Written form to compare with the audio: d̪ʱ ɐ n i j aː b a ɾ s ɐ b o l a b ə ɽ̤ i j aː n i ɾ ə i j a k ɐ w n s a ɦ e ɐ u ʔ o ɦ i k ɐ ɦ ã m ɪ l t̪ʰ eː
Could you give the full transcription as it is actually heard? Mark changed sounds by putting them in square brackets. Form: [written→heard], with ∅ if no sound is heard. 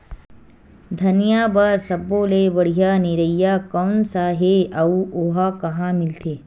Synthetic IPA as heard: d̪ʱ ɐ n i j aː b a ɾ s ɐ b o l [a→e] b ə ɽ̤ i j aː n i ɾ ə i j a k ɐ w n s a ɦ e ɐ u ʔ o ɦ [i→a] k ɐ ɦ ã m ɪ l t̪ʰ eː

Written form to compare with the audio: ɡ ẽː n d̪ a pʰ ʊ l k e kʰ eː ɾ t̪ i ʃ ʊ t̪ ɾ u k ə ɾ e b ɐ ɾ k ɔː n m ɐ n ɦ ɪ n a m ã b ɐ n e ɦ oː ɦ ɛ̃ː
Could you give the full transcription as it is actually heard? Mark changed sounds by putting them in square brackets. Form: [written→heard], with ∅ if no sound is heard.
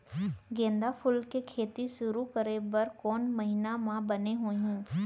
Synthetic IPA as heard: ɡ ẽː n d̪ a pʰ ʊ l k e kʰ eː [ɾ→∅] t̪ i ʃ ʊ [t̪→∅] ɾ u k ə ɾ e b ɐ ɾ k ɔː n m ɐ [n→∅] ɦ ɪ n a m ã b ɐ n e ɦ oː ɦ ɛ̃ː

